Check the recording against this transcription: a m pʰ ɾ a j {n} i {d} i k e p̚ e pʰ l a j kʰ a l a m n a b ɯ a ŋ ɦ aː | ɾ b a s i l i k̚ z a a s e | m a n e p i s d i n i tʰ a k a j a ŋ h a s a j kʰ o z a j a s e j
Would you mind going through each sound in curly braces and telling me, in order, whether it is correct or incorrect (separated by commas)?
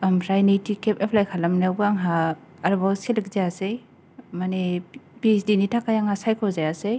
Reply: correct, incorrect